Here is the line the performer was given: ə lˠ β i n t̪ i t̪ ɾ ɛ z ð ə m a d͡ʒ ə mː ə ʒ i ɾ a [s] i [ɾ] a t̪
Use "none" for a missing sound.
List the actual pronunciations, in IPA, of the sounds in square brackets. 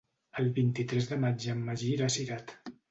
s, ɾ

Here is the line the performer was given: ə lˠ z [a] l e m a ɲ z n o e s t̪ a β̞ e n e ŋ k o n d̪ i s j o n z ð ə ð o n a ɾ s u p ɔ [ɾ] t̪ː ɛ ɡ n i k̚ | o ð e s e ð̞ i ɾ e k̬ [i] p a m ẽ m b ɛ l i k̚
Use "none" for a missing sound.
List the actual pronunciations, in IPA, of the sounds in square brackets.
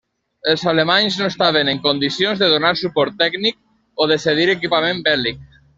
a, ɾ, i

